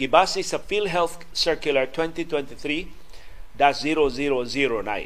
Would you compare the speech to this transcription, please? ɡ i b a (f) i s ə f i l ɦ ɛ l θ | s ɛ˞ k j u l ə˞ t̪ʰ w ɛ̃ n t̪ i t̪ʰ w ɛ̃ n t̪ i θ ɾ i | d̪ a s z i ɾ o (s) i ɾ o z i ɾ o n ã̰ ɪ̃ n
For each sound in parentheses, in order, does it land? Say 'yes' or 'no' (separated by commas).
no, no